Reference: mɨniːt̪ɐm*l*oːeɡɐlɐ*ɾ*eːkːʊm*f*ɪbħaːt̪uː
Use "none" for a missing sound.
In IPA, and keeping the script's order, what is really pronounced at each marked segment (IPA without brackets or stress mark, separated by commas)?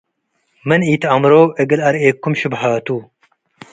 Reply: ɾ, ɾ, ʃ